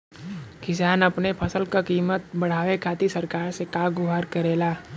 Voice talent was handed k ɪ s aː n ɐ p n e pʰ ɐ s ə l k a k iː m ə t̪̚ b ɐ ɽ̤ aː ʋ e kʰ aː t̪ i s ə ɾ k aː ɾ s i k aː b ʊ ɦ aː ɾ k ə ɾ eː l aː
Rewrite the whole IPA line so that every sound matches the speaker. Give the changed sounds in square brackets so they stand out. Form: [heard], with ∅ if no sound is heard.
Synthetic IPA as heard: k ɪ s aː n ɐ p n e pʰ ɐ s ə l k a k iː m ə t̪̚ b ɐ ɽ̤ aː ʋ e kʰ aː t̪ i s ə ɾ k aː ɾ s [e] k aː [ɡ] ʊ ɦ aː ɾ k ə ɾ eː l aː